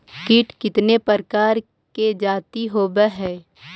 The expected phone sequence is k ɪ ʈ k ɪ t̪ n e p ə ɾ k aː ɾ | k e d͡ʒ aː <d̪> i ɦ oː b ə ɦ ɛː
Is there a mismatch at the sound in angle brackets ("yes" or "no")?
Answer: yes